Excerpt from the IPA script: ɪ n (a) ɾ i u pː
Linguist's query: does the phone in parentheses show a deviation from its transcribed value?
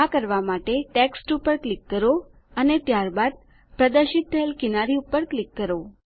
no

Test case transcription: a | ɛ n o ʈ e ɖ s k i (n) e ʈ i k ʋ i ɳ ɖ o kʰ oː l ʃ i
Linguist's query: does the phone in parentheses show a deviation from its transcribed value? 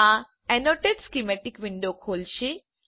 yes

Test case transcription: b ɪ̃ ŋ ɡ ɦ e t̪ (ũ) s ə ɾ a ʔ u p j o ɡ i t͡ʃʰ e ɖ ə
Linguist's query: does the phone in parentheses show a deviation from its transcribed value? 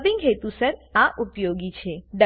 yes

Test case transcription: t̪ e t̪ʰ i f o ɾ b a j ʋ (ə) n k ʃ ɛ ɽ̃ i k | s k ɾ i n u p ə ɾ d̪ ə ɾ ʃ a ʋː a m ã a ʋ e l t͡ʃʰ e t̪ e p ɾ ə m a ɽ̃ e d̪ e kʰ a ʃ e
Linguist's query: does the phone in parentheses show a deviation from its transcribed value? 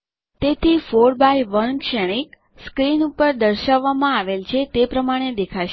no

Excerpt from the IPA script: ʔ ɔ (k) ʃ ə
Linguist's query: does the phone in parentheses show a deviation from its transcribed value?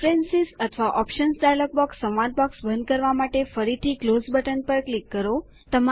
yes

